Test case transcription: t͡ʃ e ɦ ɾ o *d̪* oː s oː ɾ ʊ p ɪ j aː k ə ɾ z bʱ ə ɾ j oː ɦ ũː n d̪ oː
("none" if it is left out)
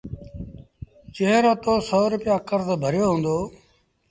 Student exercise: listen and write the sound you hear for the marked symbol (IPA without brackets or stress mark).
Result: t̪